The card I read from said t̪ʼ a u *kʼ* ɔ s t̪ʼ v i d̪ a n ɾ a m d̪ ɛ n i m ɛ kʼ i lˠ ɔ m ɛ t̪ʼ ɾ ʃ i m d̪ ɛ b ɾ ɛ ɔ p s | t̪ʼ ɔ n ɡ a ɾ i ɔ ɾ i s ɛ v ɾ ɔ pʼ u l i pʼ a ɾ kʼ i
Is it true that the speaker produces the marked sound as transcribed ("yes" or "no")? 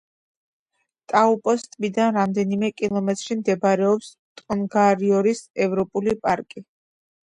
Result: no